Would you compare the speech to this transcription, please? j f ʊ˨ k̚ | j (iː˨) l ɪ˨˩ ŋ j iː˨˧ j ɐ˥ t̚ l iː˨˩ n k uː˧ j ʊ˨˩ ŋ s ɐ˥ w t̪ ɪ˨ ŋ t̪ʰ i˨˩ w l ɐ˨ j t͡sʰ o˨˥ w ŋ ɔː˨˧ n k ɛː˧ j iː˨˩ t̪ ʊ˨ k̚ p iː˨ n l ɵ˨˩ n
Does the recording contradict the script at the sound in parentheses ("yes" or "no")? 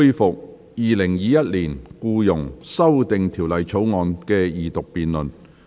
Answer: no